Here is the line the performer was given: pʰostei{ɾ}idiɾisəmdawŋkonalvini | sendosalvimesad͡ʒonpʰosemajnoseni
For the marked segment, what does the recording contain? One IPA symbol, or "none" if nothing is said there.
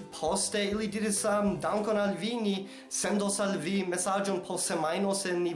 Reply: l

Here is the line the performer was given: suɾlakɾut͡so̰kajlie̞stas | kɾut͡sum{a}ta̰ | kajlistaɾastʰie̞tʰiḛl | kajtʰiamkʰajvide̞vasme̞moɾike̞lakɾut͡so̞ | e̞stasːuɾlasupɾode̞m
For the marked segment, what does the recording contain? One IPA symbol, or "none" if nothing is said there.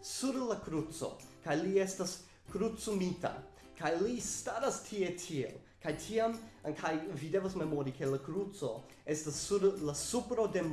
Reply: i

